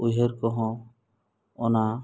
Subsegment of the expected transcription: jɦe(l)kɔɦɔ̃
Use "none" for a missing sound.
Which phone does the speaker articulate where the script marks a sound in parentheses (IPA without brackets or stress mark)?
ɾ